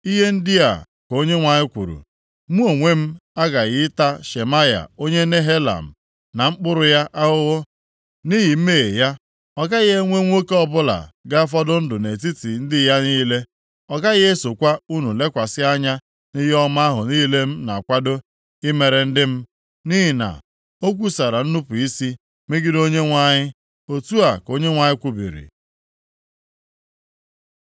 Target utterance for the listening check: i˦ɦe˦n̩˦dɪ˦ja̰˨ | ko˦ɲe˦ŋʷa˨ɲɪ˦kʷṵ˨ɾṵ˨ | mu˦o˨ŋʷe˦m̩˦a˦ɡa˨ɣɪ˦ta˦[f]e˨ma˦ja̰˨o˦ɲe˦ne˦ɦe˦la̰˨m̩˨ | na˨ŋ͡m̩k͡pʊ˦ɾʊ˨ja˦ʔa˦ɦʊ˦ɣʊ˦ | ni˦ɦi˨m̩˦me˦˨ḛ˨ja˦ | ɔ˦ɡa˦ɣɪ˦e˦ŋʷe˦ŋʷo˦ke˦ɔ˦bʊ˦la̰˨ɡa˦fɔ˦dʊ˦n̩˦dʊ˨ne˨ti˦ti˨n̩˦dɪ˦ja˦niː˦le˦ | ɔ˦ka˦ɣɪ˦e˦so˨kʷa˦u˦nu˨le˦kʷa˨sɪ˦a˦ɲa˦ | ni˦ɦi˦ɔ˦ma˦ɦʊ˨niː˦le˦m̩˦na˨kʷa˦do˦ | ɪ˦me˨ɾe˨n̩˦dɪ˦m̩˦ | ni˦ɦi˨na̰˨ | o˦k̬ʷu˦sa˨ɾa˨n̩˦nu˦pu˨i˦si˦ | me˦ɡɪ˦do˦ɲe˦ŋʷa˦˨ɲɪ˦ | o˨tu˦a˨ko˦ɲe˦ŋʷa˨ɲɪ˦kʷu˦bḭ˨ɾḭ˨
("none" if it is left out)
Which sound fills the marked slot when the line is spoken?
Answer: ʃ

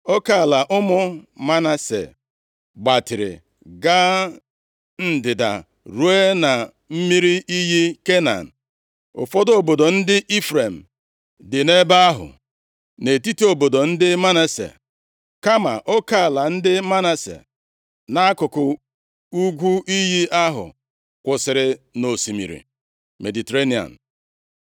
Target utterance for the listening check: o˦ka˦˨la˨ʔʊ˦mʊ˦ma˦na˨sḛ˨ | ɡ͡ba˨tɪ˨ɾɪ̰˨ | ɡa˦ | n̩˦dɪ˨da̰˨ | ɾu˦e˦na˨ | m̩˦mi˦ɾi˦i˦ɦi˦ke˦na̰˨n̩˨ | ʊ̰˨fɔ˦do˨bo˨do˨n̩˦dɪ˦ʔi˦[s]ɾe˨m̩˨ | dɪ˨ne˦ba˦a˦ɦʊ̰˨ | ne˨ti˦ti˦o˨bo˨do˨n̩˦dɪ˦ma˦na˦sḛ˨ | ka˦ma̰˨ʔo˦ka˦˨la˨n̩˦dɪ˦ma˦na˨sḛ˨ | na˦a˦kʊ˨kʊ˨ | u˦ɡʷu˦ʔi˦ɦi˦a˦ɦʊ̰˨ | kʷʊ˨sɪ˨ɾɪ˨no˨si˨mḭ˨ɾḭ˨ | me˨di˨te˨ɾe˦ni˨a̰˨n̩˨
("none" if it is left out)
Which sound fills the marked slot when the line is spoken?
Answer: f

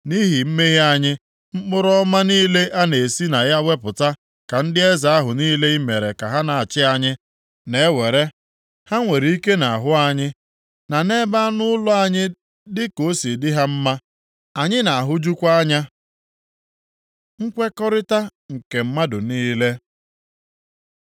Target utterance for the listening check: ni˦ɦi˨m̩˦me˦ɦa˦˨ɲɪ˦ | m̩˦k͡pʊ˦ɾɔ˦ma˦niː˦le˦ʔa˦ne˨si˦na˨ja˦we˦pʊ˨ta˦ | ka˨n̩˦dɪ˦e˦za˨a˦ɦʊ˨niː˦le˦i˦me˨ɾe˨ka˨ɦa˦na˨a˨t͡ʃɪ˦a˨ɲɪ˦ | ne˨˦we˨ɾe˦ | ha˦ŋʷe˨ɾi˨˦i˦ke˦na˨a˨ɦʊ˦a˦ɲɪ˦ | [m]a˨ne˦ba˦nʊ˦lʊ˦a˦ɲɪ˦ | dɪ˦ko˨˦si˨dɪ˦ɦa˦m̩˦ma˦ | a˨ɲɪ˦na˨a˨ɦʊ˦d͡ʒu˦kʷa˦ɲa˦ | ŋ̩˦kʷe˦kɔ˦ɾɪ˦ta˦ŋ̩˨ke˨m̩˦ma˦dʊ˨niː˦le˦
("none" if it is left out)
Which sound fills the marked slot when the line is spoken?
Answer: n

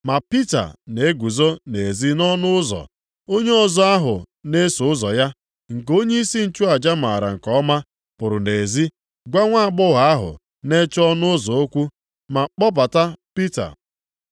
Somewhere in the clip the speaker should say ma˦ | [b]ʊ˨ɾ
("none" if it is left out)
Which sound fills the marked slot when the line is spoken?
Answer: p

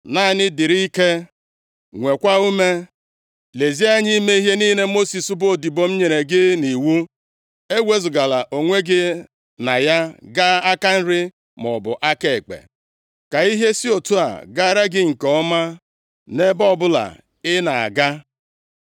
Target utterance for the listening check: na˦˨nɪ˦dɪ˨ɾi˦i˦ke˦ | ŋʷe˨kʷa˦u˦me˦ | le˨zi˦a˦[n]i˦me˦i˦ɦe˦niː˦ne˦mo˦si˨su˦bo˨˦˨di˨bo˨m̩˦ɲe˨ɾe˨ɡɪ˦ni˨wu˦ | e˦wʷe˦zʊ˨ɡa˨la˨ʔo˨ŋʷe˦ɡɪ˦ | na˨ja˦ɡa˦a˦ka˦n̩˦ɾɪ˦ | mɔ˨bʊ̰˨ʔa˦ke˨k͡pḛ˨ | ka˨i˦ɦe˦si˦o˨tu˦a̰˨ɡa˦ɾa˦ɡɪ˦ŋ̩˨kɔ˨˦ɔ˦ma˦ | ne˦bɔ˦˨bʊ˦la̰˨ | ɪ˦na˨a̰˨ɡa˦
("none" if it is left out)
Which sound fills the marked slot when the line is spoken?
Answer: ɲ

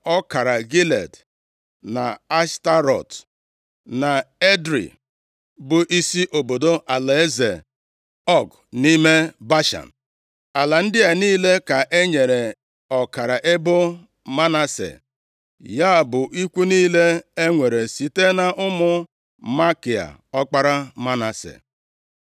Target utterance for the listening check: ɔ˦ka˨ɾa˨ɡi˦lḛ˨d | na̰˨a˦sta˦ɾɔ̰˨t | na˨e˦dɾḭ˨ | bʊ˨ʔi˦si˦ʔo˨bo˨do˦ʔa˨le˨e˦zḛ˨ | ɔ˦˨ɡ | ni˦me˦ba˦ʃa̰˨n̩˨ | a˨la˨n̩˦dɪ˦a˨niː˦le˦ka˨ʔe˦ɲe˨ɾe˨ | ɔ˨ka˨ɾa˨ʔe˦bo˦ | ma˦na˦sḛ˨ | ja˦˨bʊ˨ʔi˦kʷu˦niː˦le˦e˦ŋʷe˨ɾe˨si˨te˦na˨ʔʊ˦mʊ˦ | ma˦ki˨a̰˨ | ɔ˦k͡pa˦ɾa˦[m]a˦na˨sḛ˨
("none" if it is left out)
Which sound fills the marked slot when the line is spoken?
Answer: m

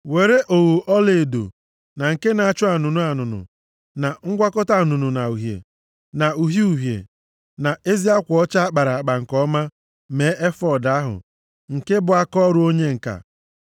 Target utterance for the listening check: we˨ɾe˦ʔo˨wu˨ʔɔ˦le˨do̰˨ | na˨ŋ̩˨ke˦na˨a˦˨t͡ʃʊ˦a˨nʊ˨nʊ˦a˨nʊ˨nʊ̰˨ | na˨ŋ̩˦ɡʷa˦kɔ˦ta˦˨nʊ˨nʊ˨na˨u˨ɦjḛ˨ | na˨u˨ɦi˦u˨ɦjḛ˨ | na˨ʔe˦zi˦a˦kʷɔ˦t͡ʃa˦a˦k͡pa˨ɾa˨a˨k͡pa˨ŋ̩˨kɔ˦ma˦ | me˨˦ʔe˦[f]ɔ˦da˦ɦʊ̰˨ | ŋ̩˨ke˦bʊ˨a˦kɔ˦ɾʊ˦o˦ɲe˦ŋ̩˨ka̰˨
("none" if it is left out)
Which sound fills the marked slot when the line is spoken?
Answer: f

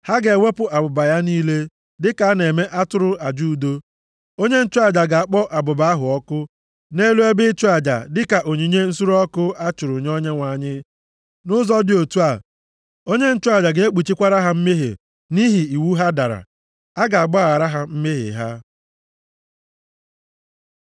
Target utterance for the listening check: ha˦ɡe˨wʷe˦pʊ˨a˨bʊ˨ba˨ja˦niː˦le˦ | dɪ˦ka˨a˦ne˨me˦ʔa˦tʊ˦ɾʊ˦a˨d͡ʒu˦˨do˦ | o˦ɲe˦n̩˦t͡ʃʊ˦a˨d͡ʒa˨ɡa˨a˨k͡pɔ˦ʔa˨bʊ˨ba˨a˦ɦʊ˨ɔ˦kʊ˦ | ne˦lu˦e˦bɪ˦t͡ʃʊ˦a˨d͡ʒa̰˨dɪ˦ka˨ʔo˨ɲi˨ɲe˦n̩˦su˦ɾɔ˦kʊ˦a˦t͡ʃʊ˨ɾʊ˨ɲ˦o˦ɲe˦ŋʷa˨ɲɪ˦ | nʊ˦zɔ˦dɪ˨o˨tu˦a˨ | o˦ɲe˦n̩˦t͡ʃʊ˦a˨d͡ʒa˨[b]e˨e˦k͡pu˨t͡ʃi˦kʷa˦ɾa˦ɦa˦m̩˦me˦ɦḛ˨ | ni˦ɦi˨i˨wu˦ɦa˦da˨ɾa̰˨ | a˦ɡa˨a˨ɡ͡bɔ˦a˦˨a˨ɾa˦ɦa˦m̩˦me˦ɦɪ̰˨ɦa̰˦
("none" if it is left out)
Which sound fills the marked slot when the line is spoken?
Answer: ɡ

